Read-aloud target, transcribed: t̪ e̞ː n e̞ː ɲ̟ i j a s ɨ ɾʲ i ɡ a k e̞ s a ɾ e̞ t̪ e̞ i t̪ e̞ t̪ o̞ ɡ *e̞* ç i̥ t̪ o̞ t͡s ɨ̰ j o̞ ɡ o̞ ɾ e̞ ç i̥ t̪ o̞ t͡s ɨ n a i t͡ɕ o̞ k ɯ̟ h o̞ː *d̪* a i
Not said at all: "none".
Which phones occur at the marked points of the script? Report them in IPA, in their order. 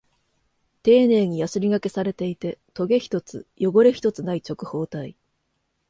e̞, t̪

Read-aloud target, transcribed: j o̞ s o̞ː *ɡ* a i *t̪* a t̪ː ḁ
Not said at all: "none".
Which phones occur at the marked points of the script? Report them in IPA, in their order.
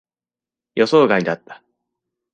ɡ, d̪

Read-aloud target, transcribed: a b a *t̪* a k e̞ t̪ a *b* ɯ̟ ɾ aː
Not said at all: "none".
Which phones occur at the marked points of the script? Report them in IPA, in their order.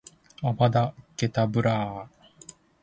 d̪, b

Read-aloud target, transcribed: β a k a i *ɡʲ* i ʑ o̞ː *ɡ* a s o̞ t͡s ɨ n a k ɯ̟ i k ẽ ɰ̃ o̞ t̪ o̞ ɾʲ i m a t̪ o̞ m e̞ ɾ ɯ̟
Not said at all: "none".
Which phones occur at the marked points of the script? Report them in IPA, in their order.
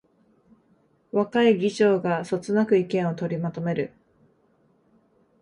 ɡʲ, ɡ

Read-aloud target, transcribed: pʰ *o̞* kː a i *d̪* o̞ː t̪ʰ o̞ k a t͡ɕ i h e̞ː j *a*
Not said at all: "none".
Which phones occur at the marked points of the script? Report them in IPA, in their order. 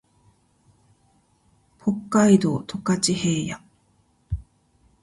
o̞, d̪, a

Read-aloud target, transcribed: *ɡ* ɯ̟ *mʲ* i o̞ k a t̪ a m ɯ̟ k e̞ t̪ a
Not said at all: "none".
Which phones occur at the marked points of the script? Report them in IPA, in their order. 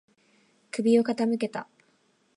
k, bʲ

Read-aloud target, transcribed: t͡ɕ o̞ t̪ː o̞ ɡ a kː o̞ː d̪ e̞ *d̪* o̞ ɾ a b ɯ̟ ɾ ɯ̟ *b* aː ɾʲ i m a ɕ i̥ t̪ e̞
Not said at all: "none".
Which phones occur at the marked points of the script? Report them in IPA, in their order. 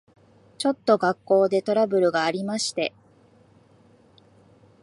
t̪, ɡ

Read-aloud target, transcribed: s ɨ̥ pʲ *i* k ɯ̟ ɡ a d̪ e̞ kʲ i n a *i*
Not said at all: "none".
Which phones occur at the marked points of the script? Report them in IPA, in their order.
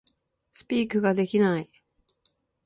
iː, i

